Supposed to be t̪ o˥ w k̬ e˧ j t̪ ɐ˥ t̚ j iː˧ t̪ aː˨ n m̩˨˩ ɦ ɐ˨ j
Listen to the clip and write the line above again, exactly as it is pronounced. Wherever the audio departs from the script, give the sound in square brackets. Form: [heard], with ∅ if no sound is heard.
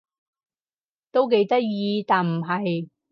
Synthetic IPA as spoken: t̪ o˥ w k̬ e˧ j t̪ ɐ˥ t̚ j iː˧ t̪ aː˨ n m̩˨˩ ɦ ɐ˨ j